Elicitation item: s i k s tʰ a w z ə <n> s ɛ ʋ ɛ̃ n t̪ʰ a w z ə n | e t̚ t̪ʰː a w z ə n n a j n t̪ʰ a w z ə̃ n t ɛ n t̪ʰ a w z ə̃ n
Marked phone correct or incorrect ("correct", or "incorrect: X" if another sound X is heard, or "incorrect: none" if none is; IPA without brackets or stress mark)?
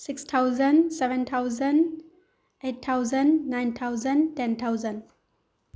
correct